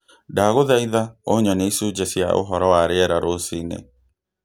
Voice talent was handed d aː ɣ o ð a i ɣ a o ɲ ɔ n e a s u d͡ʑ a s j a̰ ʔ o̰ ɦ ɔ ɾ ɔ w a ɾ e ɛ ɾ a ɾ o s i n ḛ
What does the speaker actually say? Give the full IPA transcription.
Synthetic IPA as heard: d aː ɣ o ð a i ð a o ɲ ɔ n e i s u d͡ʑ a s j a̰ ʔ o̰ ɦ ɔ ɾ ɔ w a ɾ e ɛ ɾ a ɾ o s i n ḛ